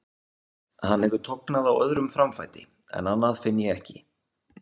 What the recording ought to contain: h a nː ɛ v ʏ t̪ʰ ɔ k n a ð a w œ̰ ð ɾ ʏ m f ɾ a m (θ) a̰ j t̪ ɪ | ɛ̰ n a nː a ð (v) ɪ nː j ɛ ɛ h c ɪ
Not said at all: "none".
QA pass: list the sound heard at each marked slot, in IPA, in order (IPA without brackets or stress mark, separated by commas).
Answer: f, f